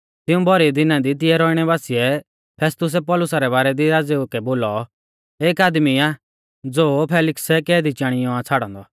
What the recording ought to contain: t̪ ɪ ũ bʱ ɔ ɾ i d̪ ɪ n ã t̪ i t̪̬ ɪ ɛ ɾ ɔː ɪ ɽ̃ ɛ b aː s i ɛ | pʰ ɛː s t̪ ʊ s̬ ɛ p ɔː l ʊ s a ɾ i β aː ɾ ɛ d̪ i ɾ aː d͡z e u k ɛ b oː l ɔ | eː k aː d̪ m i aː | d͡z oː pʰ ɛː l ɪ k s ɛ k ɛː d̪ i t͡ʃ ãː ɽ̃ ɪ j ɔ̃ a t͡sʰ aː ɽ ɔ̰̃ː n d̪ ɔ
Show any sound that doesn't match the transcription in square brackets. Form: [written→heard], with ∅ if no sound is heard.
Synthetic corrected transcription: t̪ ɪ ũ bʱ ɔ ɾ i d̪ ɪ n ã [t̪→d̪] i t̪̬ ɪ ɛ ɾ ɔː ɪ ɽ̃ ɛ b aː s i ɛ | pʰ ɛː s t̪ ʊ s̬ ɛ p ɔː l ʊ s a ɾ [i→ɛ] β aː ɾ ɛ d̪ i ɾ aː d͡z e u k ɛ b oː l ɔ | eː k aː d̪ m i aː | d͡z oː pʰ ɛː l ɪ k s ɛ k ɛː d̪ i t͡ʃ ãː ɽ̃ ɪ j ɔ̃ a t͡sʰ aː ɽ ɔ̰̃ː n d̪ ɔ

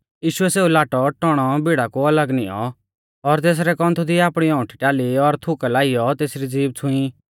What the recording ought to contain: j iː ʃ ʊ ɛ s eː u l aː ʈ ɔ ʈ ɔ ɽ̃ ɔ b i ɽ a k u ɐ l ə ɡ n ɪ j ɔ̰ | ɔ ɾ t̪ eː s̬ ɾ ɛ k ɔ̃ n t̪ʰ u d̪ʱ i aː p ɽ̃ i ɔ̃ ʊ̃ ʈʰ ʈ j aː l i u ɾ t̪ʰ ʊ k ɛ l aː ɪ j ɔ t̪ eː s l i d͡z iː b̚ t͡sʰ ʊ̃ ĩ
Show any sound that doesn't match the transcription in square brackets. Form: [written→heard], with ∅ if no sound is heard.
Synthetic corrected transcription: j iː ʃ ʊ ɛ s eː u l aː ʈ ɔ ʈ ɔ ɽ̃ ɔ b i ɽ a k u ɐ l ə ɡ n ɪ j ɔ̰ | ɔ ɾ t̪ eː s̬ ɾ ɛ k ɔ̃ n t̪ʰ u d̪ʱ i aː p ɽ̃ i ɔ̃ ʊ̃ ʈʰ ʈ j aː l i [u→ɔ] ɾ t̪ʰ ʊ k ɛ l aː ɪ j ɔ t̪ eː s [l→ɾ] i d͡z iː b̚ t͡sʰ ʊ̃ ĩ

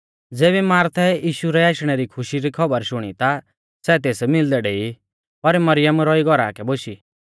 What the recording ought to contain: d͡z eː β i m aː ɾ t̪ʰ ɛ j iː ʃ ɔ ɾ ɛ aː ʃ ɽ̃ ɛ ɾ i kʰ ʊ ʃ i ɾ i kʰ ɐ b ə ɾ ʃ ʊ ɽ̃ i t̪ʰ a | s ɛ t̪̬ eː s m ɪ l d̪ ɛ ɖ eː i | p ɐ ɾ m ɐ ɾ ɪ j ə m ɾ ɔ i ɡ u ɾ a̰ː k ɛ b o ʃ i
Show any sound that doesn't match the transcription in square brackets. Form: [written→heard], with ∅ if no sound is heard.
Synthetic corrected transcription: d͡z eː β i m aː ɾ t̪ʰ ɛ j iː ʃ [ɔ→u] ɾ ɛ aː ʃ ɽ̃ ɛ ɾ i kʰ ʊ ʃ i ɾ i kʰ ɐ b ə ɾ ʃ ʊ ɽ̃ i [t̪ʰ→t̪] a | s ɛ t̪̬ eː s m ɪ l d̪ ɛ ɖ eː i | p ɐ ɾ m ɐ ɾ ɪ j ə m ɾ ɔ i ɡ [u→ɔ] ɾ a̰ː k ɛ b o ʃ i

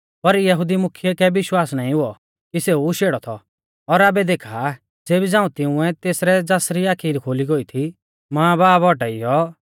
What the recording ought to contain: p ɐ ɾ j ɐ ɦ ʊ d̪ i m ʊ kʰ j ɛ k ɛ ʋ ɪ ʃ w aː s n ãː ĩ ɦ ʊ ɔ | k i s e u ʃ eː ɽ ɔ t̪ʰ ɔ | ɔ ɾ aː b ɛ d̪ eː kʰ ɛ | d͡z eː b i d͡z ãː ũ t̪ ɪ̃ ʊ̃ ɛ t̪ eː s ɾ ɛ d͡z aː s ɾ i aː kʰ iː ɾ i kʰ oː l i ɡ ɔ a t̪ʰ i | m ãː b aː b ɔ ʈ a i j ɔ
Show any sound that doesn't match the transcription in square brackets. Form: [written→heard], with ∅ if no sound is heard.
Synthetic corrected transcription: p ɐ ɾ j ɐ ɦ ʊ d̪ i m ʊ kʰ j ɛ k ɛ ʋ ɪ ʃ w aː s n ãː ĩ ɦ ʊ ɔ | k i s e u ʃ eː ɽ ɔ t̪ʰ ɔ | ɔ ɾ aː b ɛ d̪ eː kʰ [ɛ→a] | d͡z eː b i d͡z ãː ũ t̪ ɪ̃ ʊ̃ ɛ t̪ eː s ɾ ɛ d͡z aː s ɾ i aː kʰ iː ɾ i kʰ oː l i ɡ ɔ [a→i] t̪ʰ i | m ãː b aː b ɔ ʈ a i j ɔ

